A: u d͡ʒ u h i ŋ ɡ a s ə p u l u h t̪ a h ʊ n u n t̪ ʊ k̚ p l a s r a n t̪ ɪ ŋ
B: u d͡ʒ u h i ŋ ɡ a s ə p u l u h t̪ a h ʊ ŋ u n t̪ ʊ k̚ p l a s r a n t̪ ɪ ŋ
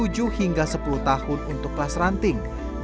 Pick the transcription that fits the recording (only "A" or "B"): A